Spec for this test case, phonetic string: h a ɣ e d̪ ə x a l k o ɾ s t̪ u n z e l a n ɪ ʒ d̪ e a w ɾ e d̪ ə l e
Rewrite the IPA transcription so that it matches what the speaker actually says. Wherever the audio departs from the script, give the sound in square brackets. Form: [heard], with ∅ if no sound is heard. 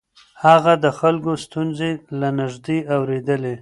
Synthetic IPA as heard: h a ɣ [a] d̪ ə x a l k o [∅] s t̪ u n z e l a n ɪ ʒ d̪ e a w ɾ e d̪ ə l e